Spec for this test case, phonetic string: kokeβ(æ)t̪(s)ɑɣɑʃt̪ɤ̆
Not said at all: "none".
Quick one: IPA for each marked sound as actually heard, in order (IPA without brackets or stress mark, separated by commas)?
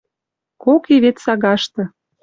e, s